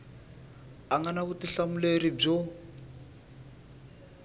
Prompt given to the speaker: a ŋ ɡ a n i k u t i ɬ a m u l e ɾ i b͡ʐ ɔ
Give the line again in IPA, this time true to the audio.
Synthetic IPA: a ŋ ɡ a n a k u t i ɬ a m u l e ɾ i b͡ʐ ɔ